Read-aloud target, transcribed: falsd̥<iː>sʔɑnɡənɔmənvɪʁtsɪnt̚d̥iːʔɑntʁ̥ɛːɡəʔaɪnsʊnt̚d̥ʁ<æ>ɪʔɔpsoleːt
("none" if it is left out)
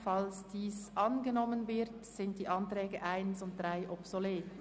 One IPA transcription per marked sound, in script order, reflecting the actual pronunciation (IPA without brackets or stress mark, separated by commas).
iː, a